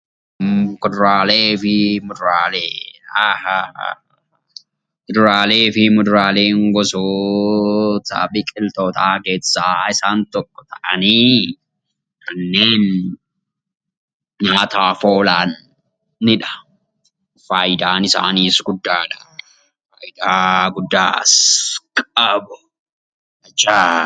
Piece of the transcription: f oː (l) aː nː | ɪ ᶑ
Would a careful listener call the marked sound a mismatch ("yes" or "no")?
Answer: no